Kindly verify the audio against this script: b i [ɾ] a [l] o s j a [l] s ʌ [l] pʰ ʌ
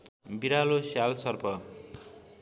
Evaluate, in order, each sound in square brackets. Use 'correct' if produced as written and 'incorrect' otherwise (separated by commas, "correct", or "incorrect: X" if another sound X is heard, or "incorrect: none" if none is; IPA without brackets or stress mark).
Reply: correct, correct, correct, incorrect: r